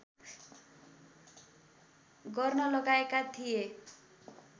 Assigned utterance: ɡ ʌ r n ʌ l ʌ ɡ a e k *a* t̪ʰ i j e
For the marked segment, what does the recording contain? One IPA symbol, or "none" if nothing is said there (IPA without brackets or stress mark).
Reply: a